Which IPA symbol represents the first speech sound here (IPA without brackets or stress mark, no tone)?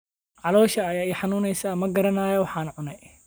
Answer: ʕ